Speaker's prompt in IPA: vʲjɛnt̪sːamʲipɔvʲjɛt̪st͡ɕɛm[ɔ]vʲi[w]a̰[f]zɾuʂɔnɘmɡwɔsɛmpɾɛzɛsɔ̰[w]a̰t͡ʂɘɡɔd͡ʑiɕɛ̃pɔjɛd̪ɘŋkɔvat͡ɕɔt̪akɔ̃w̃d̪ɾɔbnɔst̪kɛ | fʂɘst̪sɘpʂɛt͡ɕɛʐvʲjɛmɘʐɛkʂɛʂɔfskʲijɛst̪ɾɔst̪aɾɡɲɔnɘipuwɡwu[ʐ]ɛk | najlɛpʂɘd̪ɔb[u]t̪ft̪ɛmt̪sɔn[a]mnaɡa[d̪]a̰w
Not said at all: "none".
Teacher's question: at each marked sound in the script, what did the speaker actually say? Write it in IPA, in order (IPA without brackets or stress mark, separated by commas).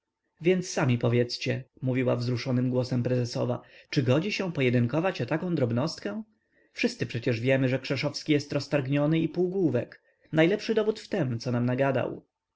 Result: u, w, v, v, v, u, a, d̪